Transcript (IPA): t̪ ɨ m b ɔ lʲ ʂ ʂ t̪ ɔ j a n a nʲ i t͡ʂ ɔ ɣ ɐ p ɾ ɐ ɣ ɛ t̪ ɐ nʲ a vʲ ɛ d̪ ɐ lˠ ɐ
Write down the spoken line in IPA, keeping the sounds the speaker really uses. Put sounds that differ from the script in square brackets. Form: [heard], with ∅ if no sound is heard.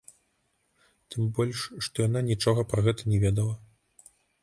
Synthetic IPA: t̪ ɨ m b ɔ lʲ ʂ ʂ t̪ ɔ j a n a nʲ i t͡ʂ ɔ ɣ ɐ p ɾ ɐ ɣ ɛ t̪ ɐ nʲ [ɛ] vʲ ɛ d̪ ɐ lˠ ɐ